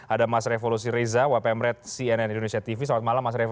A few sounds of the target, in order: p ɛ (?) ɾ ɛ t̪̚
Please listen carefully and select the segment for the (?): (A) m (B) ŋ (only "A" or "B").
A